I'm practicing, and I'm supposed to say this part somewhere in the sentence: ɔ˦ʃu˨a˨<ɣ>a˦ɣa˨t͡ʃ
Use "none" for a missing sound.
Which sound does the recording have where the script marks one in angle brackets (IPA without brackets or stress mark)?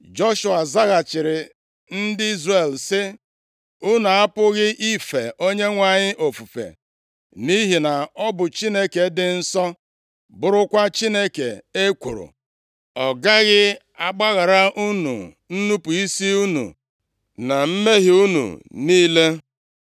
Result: z